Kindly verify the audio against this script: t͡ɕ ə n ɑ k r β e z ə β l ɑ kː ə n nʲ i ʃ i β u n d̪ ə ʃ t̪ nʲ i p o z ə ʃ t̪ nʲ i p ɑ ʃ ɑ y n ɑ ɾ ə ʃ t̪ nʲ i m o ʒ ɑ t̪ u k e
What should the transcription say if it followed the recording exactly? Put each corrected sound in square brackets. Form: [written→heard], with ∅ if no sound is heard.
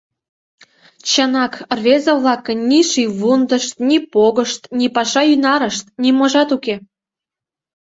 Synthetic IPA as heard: t͡ɕ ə n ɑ k r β e z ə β l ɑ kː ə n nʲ i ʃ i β u n d̪ ə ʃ t̪ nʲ i p o [z→ɣ] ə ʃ t̪ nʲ i p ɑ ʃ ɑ y n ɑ ɾ ə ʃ t̪ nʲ i m o ʒ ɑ t̪ u k e